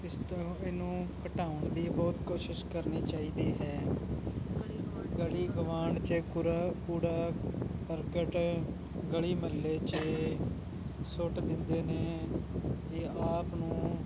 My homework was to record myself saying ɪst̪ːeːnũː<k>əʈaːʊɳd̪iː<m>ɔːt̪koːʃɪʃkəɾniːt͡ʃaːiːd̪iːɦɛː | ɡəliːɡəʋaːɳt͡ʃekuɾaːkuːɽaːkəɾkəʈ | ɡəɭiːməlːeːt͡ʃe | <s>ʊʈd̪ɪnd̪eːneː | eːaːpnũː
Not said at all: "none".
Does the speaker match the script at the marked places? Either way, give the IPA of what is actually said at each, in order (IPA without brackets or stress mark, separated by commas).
k, b, s